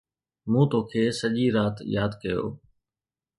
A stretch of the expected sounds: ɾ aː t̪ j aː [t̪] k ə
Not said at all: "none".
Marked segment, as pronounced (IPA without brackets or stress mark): d̪